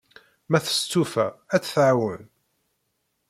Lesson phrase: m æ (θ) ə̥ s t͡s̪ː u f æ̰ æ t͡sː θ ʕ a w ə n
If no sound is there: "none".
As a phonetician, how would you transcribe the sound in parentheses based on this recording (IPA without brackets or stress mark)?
θ